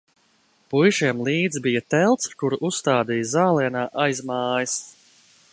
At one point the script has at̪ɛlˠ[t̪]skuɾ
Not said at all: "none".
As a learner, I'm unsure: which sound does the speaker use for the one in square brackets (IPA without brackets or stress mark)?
t̪